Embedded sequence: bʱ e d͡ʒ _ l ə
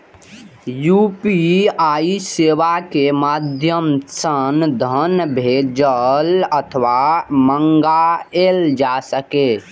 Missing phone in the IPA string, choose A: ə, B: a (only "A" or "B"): A